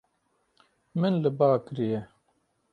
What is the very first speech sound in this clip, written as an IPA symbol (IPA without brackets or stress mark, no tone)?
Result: m